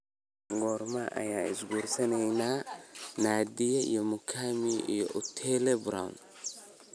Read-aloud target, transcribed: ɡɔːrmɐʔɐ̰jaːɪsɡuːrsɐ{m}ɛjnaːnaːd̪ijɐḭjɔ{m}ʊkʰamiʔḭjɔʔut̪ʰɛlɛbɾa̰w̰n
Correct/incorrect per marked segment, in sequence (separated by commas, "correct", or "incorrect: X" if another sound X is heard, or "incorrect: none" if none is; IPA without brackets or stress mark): incorrect: n, correct